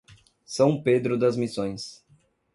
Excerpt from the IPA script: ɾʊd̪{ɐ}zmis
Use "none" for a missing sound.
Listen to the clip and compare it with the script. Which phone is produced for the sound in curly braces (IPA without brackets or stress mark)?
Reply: ɐ